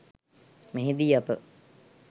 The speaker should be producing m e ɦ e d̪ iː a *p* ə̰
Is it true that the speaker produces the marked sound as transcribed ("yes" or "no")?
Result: yes